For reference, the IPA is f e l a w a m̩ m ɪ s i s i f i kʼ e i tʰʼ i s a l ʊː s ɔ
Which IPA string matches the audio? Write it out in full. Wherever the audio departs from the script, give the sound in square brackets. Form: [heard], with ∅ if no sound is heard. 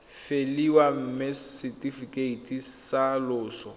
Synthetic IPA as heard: f e l [i] w a m̩ m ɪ s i [t] i f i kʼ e i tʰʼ i s a l ʊː s ɔ